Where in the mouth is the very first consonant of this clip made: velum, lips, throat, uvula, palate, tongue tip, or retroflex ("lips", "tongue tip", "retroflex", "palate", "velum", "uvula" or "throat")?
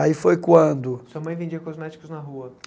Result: lips